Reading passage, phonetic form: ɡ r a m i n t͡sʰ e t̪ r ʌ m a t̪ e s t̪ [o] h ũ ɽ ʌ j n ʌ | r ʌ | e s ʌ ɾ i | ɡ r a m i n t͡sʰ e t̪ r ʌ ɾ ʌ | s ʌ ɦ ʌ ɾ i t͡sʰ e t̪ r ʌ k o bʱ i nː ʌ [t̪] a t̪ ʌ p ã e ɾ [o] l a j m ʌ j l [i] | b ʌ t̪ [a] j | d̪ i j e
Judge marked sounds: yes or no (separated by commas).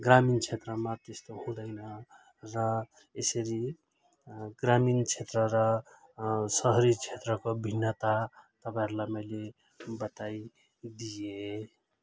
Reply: yes, yes, no, no, yes